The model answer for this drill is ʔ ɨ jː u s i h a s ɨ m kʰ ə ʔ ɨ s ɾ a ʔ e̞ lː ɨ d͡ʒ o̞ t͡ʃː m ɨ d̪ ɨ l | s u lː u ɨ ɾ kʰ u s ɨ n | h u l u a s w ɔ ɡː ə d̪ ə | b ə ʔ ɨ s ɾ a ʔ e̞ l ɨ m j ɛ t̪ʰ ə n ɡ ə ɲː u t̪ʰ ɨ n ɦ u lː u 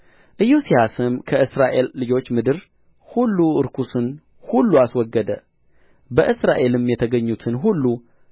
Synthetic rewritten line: ʔ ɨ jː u s i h a s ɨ m kʰ ə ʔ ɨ s ɾ a ʔ e̞ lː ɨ d͡ʒ o̞ t͡ʃː m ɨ d̪ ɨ ɾ | h u lː u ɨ ɾ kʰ u s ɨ n | h u lː u a s w ɔ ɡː ə d̪ ə | b ə ʔ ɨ s ɾ a ʔ e̞ l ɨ m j ɛ t̪ʰ ə ɡ ə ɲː u t̪ʰ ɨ n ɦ u lː u

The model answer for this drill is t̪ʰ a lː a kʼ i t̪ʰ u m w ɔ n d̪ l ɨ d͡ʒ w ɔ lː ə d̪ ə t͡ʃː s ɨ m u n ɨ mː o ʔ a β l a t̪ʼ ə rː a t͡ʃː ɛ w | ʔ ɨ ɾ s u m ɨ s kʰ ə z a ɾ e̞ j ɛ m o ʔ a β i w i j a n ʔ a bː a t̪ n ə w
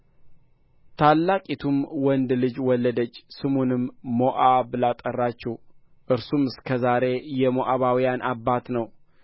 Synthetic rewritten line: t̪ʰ a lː a kʼ i t̪ʰ u m w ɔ n d̪ l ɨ d͡ʒ w ɔ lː ə d̪ ə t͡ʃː s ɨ m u n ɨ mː o ʔ a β l a t̪ʼ ə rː a t͡ʃː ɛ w | ʔ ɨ ɾ s u m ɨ s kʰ ə z a ɾ e̞ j ɛ m o ʔ a β a w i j a n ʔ a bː a t̪ n ə w

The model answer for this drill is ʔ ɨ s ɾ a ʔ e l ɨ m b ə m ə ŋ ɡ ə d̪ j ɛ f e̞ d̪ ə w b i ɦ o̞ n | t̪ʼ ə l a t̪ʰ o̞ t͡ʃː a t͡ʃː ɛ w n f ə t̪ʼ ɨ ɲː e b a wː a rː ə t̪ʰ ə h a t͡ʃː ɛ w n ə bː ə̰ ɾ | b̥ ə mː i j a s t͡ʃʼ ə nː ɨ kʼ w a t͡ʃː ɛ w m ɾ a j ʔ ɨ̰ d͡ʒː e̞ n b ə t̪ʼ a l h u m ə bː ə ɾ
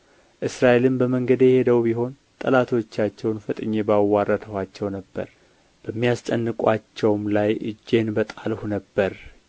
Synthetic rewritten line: ʔ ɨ s ɾ a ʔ e l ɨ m b ə m ə ŋ ɡ ə d̪ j ɛ h e̞ d̪ ə w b i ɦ o̞ n | t̪ʼ ə l a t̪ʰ o̞ t͡ʃː a t͡ʃː ɛ w n f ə t̪ʼ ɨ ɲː e b a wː a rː ə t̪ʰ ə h a t͡ʃː ɛ w n ə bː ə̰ ɾ | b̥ ə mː i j a s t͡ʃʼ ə nː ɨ kʼ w a t͡ʃː ɛ w m l a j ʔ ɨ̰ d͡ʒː e̞ n b ə t̪ʼ a l h u n ə bː ə ɾ

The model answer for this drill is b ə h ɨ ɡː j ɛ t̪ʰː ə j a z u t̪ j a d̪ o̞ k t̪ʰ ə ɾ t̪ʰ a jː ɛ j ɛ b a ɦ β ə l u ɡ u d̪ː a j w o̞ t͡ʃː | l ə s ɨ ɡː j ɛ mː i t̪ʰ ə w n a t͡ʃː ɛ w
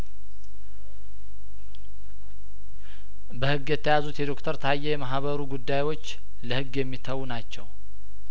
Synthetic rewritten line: b ə h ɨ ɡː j ɛ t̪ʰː ə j a z u t̪ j ɛ d̪ o̞ k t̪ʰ ə ɾ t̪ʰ a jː ɛ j ɛ m a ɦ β ə ɾ u ɡ u d̪ː a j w o̞ t͡ʃː | l ə h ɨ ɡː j ɛ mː i t̪ʰ ə w n a t͡ʃː ɛ w

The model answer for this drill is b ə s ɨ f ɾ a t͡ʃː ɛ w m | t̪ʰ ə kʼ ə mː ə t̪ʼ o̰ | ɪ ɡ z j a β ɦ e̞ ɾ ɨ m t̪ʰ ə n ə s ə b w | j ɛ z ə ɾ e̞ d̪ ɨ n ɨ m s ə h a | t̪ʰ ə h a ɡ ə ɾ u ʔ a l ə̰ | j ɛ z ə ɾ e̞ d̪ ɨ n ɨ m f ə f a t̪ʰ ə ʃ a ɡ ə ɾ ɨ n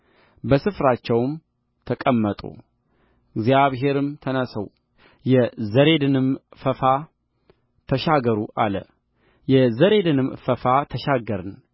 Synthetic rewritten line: b ə s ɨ f ɾ a t͡ʃː ɛ w m | t̪ʰ ə kʼ ə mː ə t̪ʼ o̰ | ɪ ɡ z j a β ɦ e̞ ɾ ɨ m t̪ʰ ə n ə s ə w | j ɛ z ə ɾ e̞ d̪ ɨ n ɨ m f ə f a | t̪ʰ ə ʃ a ɡ ə ɾ u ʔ a l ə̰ | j ɛ z ə ɾ e̞ d̪ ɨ n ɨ m f ə f a t̪ʰ ə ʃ a ɡ ə ɾ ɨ n

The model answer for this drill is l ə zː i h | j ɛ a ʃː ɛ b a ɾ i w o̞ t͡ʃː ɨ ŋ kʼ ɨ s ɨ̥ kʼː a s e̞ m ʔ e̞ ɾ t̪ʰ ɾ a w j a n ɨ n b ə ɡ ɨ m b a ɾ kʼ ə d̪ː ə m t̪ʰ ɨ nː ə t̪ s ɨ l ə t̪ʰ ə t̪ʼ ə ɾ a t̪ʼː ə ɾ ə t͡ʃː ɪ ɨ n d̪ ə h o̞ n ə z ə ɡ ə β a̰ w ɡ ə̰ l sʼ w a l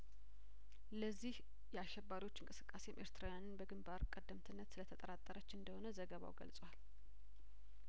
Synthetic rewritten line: l ə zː i h | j ɛ a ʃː ɛ b a ɾ i w o̞ t͡ʃː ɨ ŋ kʼ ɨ s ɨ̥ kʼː a s e̞ m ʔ e̞ ɾ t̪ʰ ɾ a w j a n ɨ n b ə ɡ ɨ m b a ɾ kʼ ə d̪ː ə m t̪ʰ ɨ nː ə t̪ s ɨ l ə t̪ʰ ə t̪ʼ ə ɾ a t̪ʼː ə ɾ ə t͡ʃː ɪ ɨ n d̪ ə h o̞ n ə z ə ɡ ə β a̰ w ɡ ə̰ l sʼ w a l

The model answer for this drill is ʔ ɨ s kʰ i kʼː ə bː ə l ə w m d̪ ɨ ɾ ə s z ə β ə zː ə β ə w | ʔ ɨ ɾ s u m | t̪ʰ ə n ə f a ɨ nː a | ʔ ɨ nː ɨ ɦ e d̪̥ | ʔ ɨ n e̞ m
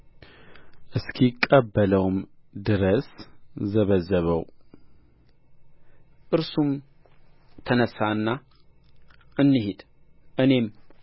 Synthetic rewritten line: ʔ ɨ s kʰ i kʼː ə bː ə l ə w m d̪ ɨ ɾ ə s z ə β ə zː ə β ə w | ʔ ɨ ɾ s u m | t̪ʰ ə n ə s a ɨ nː a | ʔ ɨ nː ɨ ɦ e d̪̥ | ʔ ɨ n e̞ m

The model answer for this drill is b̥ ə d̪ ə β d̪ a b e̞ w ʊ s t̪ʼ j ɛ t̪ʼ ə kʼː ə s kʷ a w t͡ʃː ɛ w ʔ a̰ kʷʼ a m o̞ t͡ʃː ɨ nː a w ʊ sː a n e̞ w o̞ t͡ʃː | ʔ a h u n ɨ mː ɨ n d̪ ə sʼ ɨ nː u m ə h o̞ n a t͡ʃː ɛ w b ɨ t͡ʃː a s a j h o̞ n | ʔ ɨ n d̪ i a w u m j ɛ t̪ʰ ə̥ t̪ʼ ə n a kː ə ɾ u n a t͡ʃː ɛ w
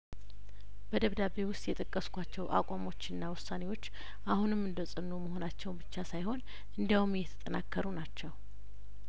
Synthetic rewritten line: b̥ ə d̪ ə β d̪ a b e̞ w ʊ s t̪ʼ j ɛ t̪ʼ ə kʼː ə s kʷ a t͡ʃː ɛ w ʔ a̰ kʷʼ a m o̞ t͡ʃː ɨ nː a w ʊ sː a n e̞ w o̞ t͡ʃː | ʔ a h u n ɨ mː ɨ n d̪ ə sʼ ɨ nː u m ə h o̞ n a t͡ʃː ɛ w b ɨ t͡ʃː a s a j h o̞ n | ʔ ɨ n d̪ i a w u m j ɛ t̪ʰ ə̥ t̪ʼ ə n a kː ə ɾ u n a t͡ʃː ɛ w

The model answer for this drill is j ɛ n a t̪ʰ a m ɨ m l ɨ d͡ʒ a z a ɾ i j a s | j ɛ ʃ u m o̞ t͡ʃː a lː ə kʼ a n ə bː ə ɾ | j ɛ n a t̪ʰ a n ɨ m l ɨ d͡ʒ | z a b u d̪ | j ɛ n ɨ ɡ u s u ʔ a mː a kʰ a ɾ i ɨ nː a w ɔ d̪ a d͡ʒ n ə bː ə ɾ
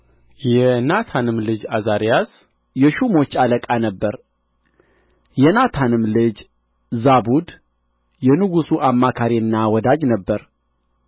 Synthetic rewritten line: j ɛ n a t̪ʰ a n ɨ m l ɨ d͡ʒ a z a ɾ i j a s | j ɛ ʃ u m o̞ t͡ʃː a l ə kʼ a n ə bː ə ɾ | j ɛ n a t̪ʰ a n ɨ m l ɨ d͡ʒ | z a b u d̪ | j ɛ n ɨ ɡ u s u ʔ a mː a kʰ a ɾ i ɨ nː a w ɔ d̪ a d͡ʒ n ə bː ə ɾ

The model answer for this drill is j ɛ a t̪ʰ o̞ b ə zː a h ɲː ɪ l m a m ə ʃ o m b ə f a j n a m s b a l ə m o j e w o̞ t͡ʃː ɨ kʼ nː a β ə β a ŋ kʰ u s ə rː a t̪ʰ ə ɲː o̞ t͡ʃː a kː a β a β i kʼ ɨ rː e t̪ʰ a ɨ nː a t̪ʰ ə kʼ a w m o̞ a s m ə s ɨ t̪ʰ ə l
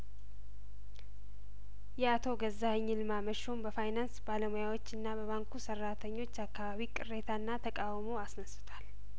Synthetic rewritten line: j ɛ a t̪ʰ o̞ ɡ ə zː a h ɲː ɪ l m a m ə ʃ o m b ə f a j n a n s b a l ə m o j a w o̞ t͡ʃː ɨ nː a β ə β a ŋ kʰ u s ə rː a t̪ʰ ə ɲː o̞ t͡ʃː a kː a β a β i kʼ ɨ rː e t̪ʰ a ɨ nː a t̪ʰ ə kʼ a w m o̞ a s n ə s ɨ t̪ʰ a l

